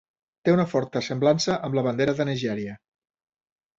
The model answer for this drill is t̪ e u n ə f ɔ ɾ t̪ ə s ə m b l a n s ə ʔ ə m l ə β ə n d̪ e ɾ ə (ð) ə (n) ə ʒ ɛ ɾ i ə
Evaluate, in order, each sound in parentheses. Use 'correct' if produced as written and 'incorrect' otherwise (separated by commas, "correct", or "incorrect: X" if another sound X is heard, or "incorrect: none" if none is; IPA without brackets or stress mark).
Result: correct, correct